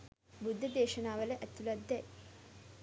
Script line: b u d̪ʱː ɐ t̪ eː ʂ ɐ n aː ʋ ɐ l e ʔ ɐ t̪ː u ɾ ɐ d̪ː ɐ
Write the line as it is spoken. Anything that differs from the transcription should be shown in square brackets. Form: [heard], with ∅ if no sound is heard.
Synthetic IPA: b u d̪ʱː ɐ [d̪] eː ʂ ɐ n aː ʋ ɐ l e ʔ ɐ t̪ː u [l] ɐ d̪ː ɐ